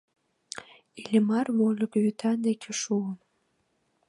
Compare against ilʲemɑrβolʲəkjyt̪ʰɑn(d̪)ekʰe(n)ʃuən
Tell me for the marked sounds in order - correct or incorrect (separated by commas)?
correct, incorrect